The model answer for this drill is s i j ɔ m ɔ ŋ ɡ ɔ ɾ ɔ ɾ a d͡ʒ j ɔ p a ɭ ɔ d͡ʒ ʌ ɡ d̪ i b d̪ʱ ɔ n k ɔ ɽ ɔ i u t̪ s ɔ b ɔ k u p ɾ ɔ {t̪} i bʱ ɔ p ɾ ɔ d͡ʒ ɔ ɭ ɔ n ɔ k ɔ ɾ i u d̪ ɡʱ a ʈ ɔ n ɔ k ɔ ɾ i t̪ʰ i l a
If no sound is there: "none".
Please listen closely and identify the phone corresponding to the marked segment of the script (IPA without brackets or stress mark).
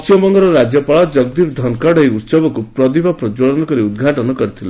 d̪